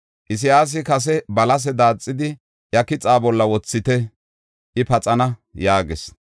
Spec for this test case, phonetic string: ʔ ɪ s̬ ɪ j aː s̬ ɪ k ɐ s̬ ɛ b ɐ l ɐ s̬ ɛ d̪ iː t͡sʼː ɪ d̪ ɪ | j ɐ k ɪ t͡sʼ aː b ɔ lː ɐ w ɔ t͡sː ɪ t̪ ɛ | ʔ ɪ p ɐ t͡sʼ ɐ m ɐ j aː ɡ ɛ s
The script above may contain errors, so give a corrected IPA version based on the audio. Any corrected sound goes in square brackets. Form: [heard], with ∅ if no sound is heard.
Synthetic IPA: ʔ ɪ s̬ ɪ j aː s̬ ɪ k ɐ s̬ ɛ b ɐ l ɐ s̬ ɛ d̪ [aː] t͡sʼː ɪ d̪ ɪ | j ɐ k ɪ t͡sʼ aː b ɔ lː ɐ w ɔ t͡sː ɪ t̪ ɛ | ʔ ɪ p ɐ t͡sʼ ɐ [n] ɐ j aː ɡ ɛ s

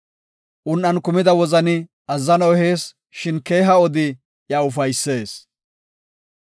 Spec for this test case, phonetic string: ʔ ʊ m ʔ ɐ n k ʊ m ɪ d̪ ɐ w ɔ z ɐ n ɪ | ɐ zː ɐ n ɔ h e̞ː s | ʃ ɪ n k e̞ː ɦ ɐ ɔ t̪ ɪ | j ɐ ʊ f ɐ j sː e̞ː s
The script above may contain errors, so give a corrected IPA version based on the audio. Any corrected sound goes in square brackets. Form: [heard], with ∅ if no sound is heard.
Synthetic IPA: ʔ ʊ [n] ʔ ɐ n k ʊ m ɪ d̪ ɐ w ɔ z ɐ n ɪ | ɐ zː ɐ n ɔ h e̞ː s | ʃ ɪ n k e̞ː ɦ ɐ ɔ [d̪] ɪ | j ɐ ʊ f ɐ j sː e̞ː s

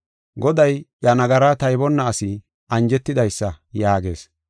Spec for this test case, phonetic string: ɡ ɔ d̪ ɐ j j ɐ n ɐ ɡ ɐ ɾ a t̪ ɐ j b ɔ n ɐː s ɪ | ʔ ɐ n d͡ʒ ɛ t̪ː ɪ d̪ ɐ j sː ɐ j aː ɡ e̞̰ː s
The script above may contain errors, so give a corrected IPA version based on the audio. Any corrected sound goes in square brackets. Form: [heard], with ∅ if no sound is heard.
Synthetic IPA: ɡ ɔ d̪ ɐ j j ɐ n ɐ ɡ ɐ ɾ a t̪ ɐ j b ɔ [nː] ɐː s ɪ | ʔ ɐ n d͡ʒ ɛ t̪ː ɪ d̪ ɐ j sː ɐ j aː ɡ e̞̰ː s

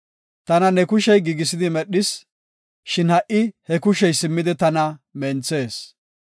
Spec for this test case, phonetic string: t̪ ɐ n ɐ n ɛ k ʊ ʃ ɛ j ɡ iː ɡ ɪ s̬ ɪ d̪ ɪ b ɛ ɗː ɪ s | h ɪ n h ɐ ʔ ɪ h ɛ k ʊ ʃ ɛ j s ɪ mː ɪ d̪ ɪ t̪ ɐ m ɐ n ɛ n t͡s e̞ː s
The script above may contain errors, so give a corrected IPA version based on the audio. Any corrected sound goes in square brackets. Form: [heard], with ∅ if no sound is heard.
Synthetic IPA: t̪ ɐ n ɐ n ɛ k ʊ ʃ ɛ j ɡ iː ɡ ɪ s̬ ɪ d̪ ɪ [m] ɛ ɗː ɪ s | [ʃ] ɪ n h ɐ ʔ ɪ h ɛ k ʊ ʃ ɛ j s ɪ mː ɪ d̪ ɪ t̪ ɐ [n] ɐ [m] ɛ n t͡s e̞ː s

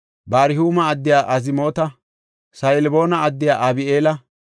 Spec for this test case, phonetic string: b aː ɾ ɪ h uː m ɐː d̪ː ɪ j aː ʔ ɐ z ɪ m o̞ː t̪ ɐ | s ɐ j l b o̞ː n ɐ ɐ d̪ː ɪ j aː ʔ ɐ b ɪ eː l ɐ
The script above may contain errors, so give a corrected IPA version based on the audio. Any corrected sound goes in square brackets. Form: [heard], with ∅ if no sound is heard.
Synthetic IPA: b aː ɾ ɪ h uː m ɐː d̪ː ɪ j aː ʔ ɐ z ɪ m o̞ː t̪ ɐ | s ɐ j l b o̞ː n ɐ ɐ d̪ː ɪ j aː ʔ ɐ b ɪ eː l ɐ

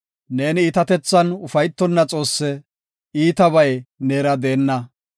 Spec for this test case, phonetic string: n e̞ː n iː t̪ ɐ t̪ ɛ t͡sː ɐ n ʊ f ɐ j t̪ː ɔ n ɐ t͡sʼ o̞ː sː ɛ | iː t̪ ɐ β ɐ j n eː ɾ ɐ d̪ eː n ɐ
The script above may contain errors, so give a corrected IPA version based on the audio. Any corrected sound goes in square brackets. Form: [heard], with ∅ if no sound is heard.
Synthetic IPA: n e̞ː n iː t̪ ɐ t̪ ɛ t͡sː ɐ n ʊ f ɐ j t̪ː ɔ [nː] ɐ t͡sʼ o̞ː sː ɛ | iː t̪ ɐ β ɐ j n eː ɾ ɐ d̪ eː [nː] ɐ

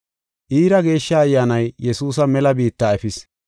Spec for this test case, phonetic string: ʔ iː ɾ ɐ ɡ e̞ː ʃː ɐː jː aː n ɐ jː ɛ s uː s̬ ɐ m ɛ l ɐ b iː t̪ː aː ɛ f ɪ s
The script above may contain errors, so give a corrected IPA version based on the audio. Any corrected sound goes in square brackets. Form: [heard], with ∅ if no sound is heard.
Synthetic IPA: ʔ iː ɾ ɐ ɡ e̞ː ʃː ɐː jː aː n ɐ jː ɛ s uː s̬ ɐ m ɛ l ɐ b iː t̪ː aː ɛ f ɪ s

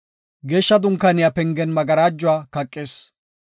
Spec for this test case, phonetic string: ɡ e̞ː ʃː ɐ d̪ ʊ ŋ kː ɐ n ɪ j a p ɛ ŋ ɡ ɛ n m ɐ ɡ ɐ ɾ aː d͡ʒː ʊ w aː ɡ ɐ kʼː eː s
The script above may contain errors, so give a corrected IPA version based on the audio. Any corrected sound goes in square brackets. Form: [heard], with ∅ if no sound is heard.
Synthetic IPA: ɡ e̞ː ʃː ɐ d̪ ʊ ŋ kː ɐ n ɪ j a p ɛ ŋ ɡ ɛ n m ɐ ɡ ɐ ɾ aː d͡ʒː ʊ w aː [k] ɐ kʼː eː s

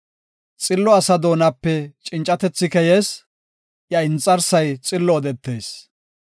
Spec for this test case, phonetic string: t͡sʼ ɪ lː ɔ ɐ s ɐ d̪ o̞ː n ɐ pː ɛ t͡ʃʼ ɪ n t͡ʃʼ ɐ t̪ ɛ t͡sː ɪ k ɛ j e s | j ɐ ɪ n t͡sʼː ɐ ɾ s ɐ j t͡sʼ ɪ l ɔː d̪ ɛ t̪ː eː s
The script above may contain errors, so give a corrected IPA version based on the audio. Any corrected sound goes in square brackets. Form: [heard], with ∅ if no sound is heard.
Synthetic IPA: t͡sʼ ɪ lː ɔ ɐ s ɐ d̪ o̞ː n ɐ pː ɛ t͡ʃʼ ɪ n t͡ʃʼ ɐ t̪ ɛ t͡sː ɪ k ɛ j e s | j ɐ ɪ n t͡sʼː ɐ ɾ s ɐ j t͡sʼ ɪ [lː] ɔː d̪ ɛ t̪ː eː s

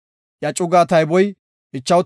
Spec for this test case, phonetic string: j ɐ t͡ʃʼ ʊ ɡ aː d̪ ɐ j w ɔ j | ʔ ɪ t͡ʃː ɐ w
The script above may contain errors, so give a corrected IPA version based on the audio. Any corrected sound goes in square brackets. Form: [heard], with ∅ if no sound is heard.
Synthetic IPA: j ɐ t͡ʃʼ ʊ ɡ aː [t̪] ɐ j [b] ɔ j | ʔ ɪ t͡ʃː ɐ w

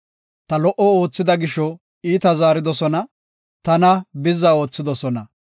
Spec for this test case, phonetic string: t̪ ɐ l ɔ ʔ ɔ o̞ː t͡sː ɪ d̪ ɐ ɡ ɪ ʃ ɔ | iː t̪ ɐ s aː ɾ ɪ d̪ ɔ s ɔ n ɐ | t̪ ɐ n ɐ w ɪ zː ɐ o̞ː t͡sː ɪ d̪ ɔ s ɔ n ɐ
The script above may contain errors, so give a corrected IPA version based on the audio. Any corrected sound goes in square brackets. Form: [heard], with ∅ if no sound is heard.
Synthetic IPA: t̪ ɐ l ɔ ʔ ɔ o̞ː t͡sː ɪ d̪ ɐ ɡ ɪ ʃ ɔ | iː t̪ ɐ [z] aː ɾ ɪ d̪ ɔ s ɔ n ɐ | t̪ ɐ n ɐ [b] ɪ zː ɐ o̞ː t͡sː ɪ d̪ ɔ s ɔ n ɐ

